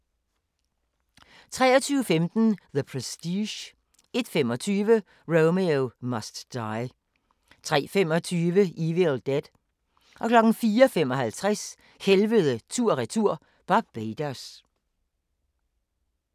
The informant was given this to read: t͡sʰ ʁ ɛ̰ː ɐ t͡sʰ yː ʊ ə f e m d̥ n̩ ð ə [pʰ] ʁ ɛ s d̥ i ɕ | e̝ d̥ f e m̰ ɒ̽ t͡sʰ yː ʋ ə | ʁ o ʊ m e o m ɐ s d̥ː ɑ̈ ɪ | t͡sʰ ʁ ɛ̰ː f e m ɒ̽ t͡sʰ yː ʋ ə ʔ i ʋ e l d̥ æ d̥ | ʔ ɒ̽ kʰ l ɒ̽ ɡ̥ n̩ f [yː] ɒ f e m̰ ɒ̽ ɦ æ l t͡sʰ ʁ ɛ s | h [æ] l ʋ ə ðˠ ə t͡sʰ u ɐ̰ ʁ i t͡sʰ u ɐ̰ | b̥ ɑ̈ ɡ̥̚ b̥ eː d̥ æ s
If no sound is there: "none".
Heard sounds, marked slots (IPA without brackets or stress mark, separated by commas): pʰ, iː, e